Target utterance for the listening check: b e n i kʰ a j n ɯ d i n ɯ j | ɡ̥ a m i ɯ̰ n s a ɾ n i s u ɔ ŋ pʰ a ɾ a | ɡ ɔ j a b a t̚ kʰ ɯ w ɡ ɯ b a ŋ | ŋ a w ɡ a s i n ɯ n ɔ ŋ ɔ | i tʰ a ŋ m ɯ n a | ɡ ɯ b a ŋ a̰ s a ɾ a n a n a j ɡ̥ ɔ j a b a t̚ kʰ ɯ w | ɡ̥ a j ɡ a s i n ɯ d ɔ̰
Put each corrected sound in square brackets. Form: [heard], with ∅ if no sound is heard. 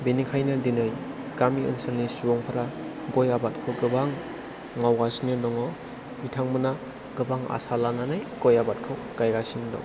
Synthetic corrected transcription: b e n i kʰ a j n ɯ d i n ɯ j | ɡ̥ a m i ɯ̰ n s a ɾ n i s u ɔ ŋ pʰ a ɾ a | ɡ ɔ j a b a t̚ kʰ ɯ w ɡ ɯ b a ŋ | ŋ a w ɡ a s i n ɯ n ɔ ŋ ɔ | i tʰ a ŋ m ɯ n a | ɡ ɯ b a ŋ a̰ s a [l] a n a n a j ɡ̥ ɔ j a b a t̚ kʰ ɯ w | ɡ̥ a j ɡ a s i n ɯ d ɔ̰